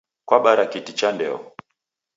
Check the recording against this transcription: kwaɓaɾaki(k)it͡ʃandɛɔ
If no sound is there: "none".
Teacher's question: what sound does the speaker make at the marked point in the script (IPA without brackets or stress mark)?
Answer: t